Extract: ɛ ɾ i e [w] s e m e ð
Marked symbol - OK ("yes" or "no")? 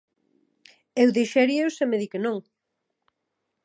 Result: yes